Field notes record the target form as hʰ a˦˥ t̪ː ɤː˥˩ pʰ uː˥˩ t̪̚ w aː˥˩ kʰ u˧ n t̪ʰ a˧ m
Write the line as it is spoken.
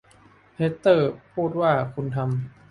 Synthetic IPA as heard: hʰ e˦˥ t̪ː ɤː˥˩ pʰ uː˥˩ t̪̚ w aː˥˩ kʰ u˧ n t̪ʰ a˧ m